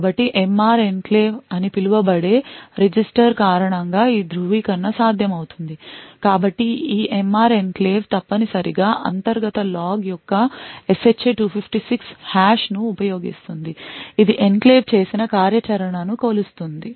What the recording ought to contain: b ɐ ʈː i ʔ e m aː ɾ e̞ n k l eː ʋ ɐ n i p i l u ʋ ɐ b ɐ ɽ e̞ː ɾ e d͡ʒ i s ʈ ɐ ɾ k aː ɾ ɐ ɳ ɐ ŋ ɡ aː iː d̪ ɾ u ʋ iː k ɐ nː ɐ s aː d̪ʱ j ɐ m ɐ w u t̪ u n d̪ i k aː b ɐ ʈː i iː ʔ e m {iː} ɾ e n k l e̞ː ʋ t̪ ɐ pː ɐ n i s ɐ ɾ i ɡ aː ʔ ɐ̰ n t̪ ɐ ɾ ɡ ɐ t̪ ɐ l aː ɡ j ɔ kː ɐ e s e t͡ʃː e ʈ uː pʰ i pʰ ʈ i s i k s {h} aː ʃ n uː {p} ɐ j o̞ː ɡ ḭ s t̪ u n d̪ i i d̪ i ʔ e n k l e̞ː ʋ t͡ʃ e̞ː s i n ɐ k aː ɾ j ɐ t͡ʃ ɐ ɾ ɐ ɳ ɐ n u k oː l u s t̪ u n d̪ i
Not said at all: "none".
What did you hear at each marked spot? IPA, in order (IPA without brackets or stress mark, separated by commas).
aː, h, p